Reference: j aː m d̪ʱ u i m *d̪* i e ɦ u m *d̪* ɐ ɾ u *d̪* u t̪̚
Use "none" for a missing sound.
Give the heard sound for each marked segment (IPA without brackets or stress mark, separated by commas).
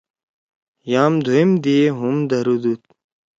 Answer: d̪, d̪, d̪